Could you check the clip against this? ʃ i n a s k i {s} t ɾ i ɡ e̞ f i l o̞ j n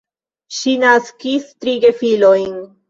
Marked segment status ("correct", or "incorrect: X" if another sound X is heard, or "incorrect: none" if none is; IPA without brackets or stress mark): correct